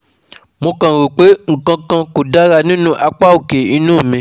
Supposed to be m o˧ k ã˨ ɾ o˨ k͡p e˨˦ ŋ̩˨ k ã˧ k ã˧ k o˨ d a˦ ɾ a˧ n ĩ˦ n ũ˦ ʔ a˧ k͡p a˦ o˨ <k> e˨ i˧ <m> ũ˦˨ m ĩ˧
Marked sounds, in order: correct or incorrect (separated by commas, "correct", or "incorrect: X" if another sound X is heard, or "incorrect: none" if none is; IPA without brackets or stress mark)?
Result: correct, incorrect: n